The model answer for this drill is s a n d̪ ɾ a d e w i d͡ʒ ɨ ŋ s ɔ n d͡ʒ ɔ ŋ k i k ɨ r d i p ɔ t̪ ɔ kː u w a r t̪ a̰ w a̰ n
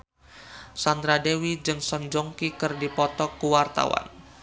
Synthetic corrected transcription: s a n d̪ ɾ a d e w i d͡ʒ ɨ ŋ s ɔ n d͡ʒ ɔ ŋ k i k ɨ r d i p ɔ t̪ ɔ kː u w a r t̪ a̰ w a̰ n